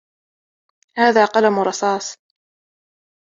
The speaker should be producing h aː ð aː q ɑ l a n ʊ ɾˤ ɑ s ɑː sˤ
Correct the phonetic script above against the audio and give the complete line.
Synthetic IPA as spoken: h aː ð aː q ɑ l a m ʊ ɾˤ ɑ s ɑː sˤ